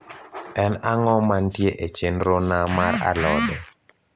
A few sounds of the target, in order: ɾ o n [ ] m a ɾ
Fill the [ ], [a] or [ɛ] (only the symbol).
a